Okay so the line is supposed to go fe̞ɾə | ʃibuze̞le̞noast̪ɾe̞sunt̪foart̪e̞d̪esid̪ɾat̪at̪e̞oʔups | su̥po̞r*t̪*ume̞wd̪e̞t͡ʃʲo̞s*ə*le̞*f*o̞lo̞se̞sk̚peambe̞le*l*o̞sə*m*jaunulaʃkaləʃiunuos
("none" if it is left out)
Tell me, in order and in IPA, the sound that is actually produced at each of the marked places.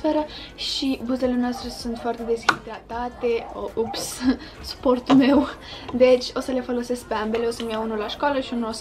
t̪, ə, f, none, m

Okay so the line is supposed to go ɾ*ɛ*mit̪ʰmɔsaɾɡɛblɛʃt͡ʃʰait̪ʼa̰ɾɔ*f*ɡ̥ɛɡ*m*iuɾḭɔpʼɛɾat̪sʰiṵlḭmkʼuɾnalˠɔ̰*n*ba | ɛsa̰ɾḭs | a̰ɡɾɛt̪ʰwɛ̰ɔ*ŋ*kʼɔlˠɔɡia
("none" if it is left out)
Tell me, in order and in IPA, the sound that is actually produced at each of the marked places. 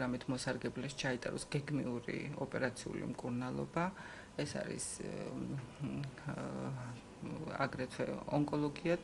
a, s, m, none, ŋ

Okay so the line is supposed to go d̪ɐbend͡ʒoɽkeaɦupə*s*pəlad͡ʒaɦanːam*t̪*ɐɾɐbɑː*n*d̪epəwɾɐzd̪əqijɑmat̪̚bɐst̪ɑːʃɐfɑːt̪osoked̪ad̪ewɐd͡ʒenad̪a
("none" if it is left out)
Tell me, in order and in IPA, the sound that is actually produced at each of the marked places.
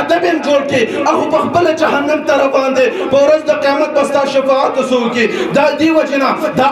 x, t̪, n

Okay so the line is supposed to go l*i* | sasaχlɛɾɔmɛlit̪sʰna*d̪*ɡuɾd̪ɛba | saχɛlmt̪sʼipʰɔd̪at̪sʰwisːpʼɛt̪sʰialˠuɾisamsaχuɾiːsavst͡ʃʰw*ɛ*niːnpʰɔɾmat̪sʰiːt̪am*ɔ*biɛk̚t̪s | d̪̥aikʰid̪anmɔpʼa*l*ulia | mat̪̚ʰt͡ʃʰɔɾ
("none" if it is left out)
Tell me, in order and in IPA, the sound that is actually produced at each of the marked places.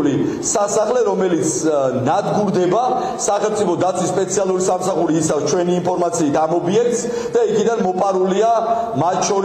i, d̪, ɛ, ɔ, ɾ

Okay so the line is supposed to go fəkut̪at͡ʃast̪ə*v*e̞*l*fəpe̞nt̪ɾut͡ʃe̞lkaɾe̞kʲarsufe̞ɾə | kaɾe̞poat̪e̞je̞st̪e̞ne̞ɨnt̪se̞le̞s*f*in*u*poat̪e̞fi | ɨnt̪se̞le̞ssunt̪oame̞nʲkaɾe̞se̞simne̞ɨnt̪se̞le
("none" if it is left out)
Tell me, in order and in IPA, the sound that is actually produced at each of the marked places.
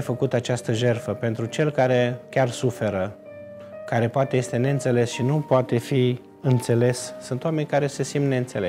ʒ, r, ʃ, u

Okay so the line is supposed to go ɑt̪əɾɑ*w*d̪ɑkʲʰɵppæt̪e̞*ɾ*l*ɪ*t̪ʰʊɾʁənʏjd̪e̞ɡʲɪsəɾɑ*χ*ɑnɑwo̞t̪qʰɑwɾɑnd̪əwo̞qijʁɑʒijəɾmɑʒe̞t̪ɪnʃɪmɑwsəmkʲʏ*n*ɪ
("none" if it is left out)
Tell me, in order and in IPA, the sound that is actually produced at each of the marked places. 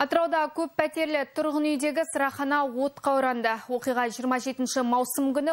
w, ɾ, ɪ, χ, n

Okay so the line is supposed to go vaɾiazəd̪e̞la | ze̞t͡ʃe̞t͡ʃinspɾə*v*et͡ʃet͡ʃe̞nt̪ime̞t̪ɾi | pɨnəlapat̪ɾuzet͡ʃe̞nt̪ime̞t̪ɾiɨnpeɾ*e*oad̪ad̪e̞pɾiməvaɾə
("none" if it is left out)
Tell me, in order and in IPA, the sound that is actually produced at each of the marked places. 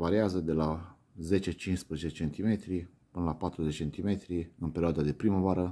z, i

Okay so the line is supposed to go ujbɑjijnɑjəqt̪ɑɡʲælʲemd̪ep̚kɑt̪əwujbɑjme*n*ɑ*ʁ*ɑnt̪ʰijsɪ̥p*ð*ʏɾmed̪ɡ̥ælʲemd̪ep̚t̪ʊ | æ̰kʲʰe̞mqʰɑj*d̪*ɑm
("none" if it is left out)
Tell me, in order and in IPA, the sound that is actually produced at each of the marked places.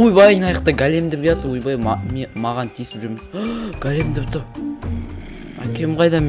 m, ʁ, ʒ, d̪

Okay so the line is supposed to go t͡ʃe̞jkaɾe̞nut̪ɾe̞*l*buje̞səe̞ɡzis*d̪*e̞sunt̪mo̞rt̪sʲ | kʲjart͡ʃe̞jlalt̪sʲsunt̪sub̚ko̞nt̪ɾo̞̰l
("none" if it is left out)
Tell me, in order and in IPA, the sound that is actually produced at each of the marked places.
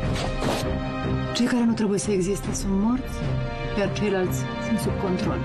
none, t̪

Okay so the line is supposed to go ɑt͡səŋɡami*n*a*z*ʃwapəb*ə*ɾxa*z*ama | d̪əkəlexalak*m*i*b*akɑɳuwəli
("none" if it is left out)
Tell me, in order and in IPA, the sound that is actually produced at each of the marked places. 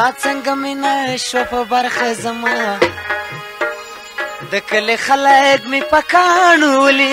n, none, a, z, m, p

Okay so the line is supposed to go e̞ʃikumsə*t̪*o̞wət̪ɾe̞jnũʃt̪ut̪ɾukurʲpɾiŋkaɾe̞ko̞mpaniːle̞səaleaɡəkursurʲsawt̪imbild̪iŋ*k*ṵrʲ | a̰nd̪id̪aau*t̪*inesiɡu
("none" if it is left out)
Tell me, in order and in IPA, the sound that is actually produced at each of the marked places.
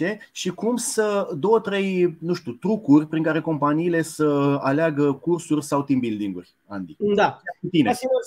d̪, ɡ, t̪

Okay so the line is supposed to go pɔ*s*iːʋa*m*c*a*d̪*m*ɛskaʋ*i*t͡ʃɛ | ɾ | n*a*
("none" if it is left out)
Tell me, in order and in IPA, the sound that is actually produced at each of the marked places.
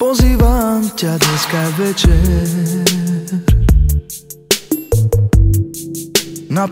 z, m, a, ɲ, ɛ, a

